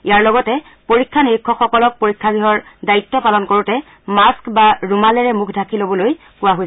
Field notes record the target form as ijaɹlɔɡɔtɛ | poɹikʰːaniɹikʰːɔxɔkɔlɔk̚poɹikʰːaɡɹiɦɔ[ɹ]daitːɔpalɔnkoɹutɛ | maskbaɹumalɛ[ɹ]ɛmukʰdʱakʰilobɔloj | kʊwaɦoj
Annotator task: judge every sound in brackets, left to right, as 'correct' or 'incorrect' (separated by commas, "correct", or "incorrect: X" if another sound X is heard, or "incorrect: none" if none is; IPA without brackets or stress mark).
correct, correct